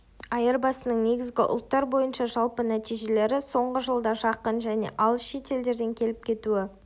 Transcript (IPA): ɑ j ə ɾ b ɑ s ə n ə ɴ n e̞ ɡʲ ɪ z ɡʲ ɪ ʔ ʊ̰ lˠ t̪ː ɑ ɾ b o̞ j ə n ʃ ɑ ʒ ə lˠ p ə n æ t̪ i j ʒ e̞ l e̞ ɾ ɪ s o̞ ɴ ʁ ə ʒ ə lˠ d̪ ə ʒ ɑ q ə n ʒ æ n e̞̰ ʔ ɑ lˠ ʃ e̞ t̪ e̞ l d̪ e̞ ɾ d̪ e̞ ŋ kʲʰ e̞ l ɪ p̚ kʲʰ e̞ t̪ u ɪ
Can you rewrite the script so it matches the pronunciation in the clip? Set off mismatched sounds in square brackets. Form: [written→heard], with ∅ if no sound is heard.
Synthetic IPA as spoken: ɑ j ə ɾ b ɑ s ə n ə ɴ n e̞ ɡʲ ɪ z ɡʲ ɪ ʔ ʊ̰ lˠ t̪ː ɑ ɾ b o̞ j ə n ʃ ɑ ʒ [ə→ɑ] lˠ p ə n æ t̪ i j ʒ e̞ l e̞ ɾ ɪ s o̞ ɴ ʁ ə ʒ ə lˠ d̪ [ə→ɑ] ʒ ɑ q ə n ʒ æ n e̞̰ ʔ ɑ lˠ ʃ e̞ t̪ e̞ l d̪ e̞ ɾ d̪ e̞ ŋ kʲʰ e̞ l ɪ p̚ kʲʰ e̞ t̪ u ɪ